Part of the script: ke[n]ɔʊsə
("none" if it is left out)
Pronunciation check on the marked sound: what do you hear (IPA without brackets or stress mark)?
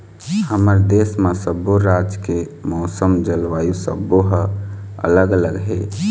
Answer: m